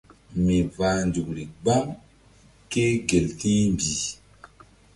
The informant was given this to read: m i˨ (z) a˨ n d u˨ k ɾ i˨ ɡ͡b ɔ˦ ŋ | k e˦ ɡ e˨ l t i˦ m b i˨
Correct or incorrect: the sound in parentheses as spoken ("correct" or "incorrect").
incorrect